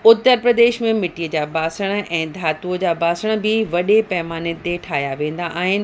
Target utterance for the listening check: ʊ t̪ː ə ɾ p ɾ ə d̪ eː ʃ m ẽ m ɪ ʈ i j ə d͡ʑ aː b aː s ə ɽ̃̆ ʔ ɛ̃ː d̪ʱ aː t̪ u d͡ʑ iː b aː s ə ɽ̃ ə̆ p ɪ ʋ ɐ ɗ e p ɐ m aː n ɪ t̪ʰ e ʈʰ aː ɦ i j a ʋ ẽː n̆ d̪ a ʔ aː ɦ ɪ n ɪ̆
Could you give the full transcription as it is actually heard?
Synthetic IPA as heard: ʊ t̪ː ə ɾ p ɾ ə d̪ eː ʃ m ẽ m ɪ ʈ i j ə d͡ʑ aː b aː s ə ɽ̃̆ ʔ ɛ̃ː d̪ʱ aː t̪ u d͡ʑ aː b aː s ə ɽ̃ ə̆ b ɪ ʋ ɐ ɗ e p ɐ m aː n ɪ t̪ e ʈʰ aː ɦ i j a ʋ ẽː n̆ d̪ a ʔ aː ɦ ɪ n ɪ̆